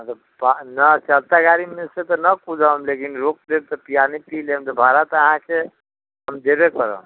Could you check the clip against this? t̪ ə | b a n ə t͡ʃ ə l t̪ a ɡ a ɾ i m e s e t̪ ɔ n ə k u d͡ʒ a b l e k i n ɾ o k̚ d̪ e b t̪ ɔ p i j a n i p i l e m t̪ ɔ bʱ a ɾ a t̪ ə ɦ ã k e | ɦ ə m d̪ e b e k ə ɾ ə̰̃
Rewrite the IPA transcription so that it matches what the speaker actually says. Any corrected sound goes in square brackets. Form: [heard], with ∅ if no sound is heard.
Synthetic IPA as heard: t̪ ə | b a n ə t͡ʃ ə l t̪ a ɡ a ɾ i m e s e t̪ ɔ n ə k u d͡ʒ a [m] l e k i n ɾ o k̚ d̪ e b t̪ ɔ p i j a n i p i l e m t̪ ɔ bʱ a ɾ a t̪ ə ɦ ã k e | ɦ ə m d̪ e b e k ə ɾ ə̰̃